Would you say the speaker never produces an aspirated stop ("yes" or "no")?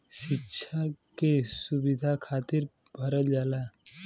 no